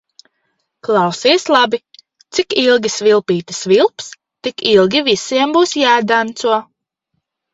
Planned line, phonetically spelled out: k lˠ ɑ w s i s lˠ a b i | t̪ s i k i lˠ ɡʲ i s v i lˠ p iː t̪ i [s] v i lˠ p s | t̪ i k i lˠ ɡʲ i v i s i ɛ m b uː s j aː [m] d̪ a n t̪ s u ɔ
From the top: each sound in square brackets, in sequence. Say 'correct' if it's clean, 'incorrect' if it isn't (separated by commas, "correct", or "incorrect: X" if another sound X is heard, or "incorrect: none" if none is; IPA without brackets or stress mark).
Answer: correct, incorrect: none